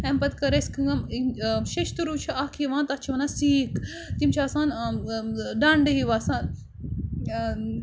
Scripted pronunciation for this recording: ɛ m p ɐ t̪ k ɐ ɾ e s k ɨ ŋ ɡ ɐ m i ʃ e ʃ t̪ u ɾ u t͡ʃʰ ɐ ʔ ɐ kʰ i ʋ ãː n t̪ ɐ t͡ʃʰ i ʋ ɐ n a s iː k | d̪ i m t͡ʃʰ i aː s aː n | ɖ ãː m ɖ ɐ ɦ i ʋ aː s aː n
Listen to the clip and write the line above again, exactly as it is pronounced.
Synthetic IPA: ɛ m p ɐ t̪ k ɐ ɾ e s k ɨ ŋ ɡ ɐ m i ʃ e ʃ t̪ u ɾ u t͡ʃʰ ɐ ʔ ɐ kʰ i ʋ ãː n t̪ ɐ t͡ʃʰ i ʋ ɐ n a s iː k | t̪ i m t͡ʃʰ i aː s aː n | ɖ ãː ɳ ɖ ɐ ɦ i ʋ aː s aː n